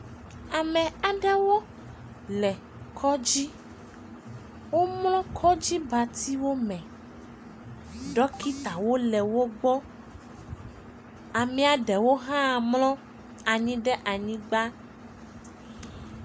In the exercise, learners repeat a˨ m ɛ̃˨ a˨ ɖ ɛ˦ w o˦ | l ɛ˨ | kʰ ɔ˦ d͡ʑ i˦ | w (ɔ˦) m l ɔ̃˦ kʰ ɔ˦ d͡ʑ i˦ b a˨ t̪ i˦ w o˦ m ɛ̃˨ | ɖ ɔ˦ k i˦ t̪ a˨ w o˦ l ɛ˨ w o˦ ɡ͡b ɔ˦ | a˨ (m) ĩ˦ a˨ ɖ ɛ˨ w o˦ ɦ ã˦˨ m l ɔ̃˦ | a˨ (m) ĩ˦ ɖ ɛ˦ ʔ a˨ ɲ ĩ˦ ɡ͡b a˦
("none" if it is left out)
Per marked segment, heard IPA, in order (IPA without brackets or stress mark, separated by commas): o˦, m, ɲ